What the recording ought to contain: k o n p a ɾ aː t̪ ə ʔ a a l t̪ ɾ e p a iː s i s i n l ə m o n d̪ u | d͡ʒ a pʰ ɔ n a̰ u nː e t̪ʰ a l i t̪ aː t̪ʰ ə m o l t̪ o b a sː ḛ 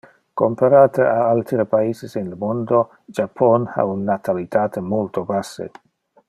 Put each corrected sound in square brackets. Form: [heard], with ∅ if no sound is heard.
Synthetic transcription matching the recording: k o [m] p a ɾ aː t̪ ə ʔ a a l t̪ ɾ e p a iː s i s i n l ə m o n d̪ [o] | d͡ʒ a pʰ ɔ n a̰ u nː [a] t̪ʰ a l i t̪ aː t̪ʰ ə m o l t̪ o b a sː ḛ